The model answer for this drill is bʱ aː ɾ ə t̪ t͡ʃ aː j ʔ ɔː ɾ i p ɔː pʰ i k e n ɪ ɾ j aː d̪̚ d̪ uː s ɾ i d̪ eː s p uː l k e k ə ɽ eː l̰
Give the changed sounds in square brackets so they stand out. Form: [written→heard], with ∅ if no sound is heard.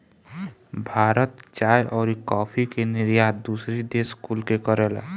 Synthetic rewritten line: bʱ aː ɾ ə t̪ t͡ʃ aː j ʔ ɔː ɾ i [p→k] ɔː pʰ i k e n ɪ ɾ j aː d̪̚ d̪ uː s ɾ i d̪ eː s [p→k] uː l k e k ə [ɽ→ɾ] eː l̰